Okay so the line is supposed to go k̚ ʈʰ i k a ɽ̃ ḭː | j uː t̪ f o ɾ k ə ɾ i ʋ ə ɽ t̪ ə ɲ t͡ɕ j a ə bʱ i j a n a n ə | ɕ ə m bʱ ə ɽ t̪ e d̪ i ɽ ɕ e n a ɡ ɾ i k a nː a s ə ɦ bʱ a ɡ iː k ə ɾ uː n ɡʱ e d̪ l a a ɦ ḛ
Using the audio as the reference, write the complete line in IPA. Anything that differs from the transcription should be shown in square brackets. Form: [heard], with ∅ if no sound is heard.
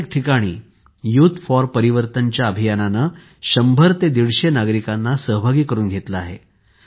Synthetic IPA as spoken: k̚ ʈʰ i k a ɽ̃ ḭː | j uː t̪ f [ɔ] ɾ [p] ə ɾ i ʋ ə [ɾ] t̪ ə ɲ t͡ɕ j a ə bʱ i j a n a n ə | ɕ ə m bʱ ə [ɾ] t̪ e d̪ i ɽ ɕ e n a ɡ ɾ i k a nː a s ə ɦ bʱ a ɡ iː k ə ɾ uː n ɡʱ e [t̪] l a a ɦ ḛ